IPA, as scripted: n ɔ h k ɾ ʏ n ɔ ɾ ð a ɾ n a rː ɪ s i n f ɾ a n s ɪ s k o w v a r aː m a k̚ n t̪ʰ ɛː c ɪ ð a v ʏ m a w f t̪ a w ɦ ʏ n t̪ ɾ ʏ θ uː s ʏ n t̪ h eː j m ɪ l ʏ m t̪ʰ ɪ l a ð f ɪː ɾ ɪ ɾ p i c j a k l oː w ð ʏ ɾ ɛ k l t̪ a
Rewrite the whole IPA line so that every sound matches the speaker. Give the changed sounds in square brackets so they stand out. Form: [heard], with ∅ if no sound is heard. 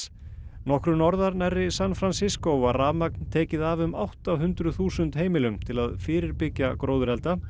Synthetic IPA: n ɔ h k ɾ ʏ n ɔ ɾ ð a ɾ n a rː ɪ s [a] n f ɾ a n s ɪ s k o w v a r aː m a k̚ n t̪ʰ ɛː c ɪ ð a v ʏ m a w [h] t̪ a w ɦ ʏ n t̪ ɾ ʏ θ uː s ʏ n t̪ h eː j m ɪ l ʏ m t̪ʰ ɪ l a ð f ɪː ɾ ɪ ɾ p [ɪ] c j a k [ɾ] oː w ð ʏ ɾ ɛ [∅] l t̪ a

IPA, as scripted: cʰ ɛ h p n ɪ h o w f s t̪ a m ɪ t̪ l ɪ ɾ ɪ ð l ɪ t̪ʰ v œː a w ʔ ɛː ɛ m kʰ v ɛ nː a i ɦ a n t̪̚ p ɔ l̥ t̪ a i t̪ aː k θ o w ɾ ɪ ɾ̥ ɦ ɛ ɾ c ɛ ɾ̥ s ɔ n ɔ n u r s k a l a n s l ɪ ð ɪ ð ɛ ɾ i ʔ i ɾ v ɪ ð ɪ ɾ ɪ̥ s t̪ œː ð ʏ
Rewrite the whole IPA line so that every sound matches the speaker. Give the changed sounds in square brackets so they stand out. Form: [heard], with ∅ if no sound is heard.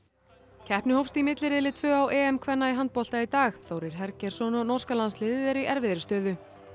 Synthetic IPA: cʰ ɛ h p n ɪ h o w f s t̪ [i] m ɪ t̪ l ɪ ɾ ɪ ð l ɪ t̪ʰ v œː a w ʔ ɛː ɛ m kʰ v ɛ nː a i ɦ a n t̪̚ p ɔ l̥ t̪ a i t̪ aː [x] θ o w ɾ ɪ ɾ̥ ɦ ɛ ɾ c ɛ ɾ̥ s ɔ n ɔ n [ɔ] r s k a l a n s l ɪ ð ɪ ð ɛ ɾ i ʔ [ɛ] ɾ v ɪ ð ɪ ɾ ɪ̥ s t̪ œː ð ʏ

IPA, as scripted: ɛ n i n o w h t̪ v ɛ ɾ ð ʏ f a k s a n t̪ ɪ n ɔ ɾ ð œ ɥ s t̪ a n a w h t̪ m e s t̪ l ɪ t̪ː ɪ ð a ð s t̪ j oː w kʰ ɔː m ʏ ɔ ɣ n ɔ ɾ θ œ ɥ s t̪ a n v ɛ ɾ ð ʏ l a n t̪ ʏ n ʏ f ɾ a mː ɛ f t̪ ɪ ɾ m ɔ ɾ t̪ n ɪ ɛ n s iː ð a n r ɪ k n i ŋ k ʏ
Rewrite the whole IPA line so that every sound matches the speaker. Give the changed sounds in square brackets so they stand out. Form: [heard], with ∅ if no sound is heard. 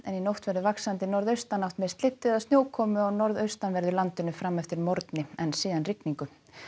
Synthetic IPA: ɛ n i n o w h t̪ v ɛ ɾ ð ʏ [v] a k s a n t̪ ɪ n ɔ ɾ ð œ ɥ s t̪ a n a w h t̪ m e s t̪ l ɪ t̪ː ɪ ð a ð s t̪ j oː w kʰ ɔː m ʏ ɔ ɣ n ɔ ɾ [ð] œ ɥ s t̪ a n v ɛ ɾ ð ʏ l a n t̪ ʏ n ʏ f ɾ a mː ɛ f t̪ ɪ ɾ m ɔ ɾ t̪ n ɪ ɛ n s iː ð a n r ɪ k n i ŋ k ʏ

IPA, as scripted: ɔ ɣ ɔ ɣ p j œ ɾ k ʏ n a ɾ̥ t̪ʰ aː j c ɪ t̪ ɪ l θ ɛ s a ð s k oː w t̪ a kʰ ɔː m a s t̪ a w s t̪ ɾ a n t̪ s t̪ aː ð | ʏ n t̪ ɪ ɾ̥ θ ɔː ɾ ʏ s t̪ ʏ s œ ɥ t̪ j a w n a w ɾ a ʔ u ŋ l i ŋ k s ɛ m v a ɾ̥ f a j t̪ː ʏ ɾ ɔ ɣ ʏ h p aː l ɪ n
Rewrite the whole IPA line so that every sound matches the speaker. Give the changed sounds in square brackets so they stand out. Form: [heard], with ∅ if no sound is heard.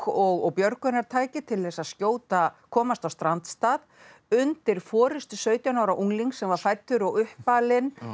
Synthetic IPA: ɔ ɣ ɔ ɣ p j œ ɾ k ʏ n a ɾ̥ t̪ʰ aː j c ɪ [t̪ʰ] ɪ l θ ɛ s a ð s [c] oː w t̪ a kʰ ɔː m a s t̪ a w s t̪ ɾ a n t̪ s t̪ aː ð | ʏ n t̪ ɪ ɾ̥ [f] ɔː ɾ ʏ s t̪ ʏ s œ ɥ t̪ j a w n a w ɾ a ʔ u ŋ l i ŋ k s ɛ m v a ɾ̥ f a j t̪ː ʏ ɾ ɔ ɣ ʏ h p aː l ɪ n

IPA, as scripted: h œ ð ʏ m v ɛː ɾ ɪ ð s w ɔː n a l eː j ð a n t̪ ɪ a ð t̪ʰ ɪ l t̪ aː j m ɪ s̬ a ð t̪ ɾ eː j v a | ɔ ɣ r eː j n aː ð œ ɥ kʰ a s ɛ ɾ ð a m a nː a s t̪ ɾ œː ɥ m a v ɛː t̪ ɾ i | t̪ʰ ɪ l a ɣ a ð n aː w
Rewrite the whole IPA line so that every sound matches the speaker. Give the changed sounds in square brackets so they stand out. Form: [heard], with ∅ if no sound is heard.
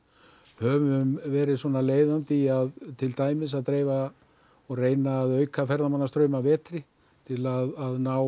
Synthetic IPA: h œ [v] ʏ m v ɛː ɾ ɪ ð s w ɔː n a l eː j ð a n t̪ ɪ a ð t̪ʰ ɪ l t̪ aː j m ɪ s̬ a ð t̪ ɾ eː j v a | ɔ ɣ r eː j n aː ð œ ɥ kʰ a [f] ɛ ɾ ð a m a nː a s t̪ ɾ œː ɥ m a v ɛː t̪ ɾ [ɪ] | t̪ʰ ɪ l a [ð] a ð n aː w

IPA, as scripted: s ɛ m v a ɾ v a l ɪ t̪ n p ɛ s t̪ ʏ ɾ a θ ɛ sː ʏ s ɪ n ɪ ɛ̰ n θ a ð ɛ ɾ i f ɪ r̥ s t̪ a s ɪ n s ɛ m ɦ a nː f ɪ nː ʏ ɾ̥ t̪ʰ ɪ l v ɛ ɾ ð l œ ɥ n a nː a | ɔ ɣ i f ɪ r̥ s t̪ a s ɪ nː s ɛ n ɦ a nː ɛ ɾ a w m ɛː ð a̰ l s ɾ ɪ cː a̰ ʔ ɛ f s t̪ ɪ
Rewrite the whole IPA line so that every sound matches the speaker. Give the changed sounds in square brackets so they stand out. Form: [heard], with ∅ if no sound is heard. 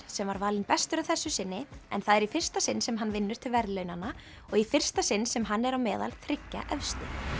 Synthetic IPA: s ɛ m v a ɾ v a l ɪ [∅] n p ɛ s t̪ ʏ ɾ a θ ɛ sː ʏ s ɪ [nː] ɪ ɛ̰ n θ a ð ɛ ɾ i f ɪ r̥ s t̪ a s ɪ n s ɛ m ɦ a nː [v] ɪ nː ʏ ɾ̥ t̪ʰ ɪ l v ɛ ɾ ð l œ ɥ n a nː a | ɔ ɣ i f ɪ r̥ s t̪ a s ɪ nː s ɛ [m] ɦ a nː ɛ ɾ a w m ɛː ð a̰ l [θ] ɾ ɪ cː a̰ ʔ ɛ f s t̪ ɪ

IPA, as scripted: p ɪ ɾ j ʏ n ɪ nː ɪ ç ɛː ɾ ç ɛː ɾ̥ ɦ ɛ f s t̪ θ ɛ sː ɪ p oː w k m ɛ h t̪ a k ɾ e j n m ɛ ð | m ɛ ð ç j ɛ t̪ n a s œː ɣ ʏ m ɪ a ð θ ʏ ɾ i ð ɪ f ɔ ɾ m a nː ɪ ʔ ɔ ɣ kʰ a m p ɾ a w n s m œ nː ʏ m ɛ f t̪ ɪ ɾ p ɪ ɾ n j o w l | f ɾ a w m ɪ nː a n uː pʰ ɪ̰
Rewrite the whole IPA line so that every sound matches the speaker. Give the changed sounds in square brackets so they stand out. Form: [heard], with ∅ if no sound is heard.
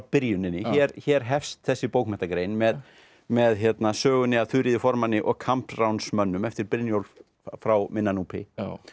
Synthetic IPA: p ɪ ɾ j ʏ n ɪ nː ɪ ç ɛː ɾ ç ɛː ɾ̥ ɦ ɛ f s t̪ θ ɛ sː ɪ p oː w k m ɛ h t̪ a k ɾ e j n m ɛ ð | m ɛ ð ç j ɛ t̪ n a s œː ɣ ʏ [n] ɪ a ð θ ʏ ɾ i ð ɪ f ɔ ɾ m a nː ɪ ʔ ɔ ɣ kʰ a m p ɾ a w n s m œ nː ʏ m ɛ f t̪ ɪ ɾ p ɪ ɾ n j o w l | f ɾ a w m ɪ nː a n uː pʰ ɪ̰

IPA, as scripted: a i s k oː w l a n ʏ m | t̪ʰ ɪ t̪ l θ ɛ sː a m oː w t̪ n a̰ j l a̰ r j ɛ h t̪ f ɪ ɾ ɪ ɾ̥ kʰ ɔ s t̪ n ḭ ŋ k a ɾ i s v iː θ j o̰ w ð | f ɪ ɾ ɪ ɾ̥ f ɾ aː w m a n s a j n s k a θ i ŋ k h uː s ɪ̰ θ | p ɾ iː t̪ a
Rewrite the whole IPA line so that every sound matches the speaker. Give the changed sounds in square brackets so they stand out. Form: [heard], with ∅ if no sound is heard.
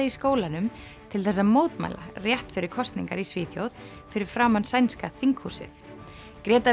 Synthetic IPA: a i s k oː w l a n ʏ m | t̪ʰ ɪ [∅] l θ ɛ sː a m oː w t̪ [m] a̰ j l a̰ r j ɛ h t̪ f ɪ ɾ ɪ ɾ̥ kʰ ɔ s t̪ n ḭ ŋ k a ɾ i s v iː θ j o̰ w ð | f ɪ ɾ ɪ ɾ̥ f ɾ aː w m a n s a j n s k a θ i ŋ k h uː s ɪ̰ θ | [k] ɾ [ɛː] t̪ a

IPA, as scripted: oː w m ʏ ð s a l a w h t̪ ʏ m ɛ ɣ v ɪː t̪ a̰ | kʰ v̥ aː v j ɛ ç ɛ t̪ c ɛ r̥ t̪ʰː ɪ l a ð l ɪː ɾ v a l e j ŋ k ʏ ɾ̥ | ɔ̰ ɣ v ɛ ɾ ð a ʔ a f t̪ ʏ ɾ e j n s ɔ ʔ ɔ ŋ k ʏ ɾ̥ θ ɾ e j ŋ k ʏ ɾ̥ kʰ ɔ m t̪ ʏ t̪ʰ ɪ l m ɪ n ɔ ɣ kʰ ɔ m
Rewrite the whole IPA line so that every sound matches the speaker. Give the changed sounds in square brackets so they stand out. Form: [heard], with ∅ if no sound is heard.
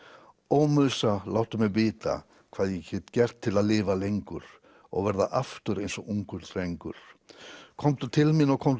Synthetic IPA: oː w m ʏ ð s a l a w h t̪ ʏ m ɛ ɣ v ɪː t̪ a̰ | kʰ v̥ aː [ð] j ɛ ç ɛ t̪ c ɛ r̥ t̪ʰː ɪ l a ð l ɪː [∅] v a l e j ŋ k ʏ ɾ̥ | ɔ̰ ɣ v ɛ ɾ ð a ʔ a f t̪ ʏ ɾ e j n s ɔ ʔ [u] ŋ k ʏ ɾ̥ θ ɾ e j ŋ k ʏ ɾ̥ kʰ ɔ m t̪ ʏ t̪ʰ ɪ l m ɪ n ɔ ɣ kʰ ɔ m

